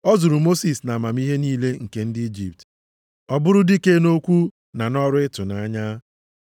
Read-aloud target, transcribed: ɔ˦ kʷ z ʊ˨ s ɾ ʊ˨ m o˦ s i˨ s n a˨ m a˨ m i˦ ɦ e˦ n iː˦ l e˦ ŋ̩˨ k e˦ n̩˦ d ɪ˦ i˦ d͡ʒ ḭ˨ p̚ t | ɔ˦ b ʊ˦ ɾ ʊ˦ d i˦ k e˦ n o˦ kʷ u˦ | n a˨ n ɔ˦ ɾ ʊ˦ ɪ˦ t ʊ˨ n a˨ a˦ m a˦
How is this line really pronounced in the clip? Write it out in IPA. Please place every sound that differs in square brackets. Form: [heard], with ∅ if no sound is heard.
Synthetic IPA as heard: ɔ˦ [∅] z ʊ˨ [∅] ɾ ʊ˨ m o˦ s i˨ s n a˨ m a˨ m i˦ ɦ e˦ n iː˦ l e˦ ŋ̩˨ k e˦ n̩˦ d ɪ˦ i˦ d͡ʒ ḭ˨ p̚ t | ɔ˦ b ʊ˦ ɾ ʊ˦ d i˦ k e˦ n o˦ kʷ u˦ | n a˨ n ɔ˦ ɾ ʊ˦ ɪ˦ t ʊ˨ n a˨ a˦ [ɲ] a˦